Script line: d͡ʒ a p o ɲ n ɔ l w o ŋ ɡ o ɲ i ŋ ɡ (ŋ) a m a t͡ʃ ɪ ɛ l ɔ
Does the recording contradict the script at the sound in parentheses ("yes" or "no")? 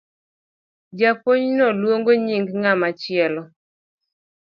no